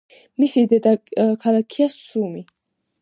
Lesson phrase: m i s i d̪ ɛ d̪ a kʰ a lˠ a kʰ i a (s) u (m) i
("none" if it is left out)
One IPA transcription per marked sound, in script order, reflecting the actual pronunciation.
s, m

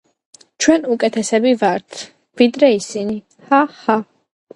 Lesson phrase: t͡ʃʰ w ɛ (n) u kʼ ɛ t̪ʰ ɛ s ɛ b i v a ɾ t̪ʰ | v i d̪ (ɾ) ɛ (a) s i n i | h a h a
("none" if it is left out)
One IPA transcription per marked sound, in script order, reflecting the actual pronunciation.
n, ɾ, i

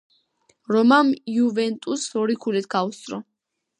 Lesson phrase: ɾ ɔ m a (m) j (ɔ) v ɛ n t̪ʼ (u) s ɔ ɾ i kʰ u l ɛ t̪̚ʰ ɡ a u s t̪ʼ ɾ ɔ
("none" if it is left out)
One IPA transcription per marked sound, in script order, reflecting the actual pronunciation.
m, u, u

